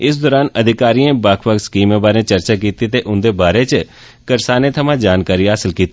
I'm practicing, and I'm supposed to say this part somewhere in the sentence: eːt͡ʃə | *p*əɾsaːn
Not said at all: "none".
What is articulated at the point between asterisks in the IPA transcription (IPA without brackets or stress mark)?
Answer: k